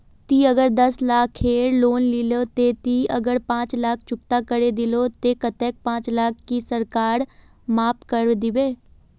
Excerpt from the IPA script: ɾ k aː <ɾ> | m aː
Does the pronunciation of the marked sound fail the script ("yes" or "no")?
no